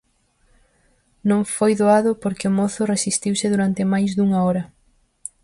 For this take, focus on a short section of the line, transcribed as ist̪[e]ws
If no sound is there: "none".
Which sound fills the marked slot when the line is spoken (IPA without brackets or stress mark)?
i